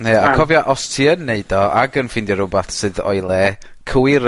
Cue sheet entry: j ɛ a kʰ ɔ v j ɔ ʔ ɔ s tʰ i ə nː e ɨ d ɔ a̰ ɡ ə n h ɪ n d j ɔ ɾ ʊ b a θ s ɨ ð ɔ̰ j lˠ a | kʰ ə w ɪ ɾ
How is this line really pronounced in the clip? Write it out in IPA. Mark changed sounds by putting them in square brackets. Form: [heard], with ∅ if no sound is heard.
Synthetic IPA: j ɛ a kʰ ɔ v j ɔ ʔ ɔ s tʰ i ə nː e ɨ d ɔ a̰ ɡ ə n [f] ɪ n d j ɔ ɾ ʊ b a θ s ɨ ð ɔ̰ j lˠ [ɛ] | kʰ ə w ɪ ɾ